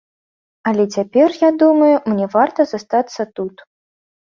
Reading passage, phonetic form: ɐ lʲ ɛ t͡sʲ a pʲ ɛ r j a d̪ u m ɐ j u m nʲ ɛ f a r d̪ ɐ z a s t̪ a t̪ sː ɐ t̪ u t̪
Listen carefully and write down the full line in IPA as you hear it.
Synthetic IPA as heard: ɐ lʲ ɛ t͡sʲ a pʲ ɛ r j a d̪ u m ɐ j u m nʲ ɛ v a r t̪ ɐ z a s t̪ a t̪ sː ɐ t̪ u t̪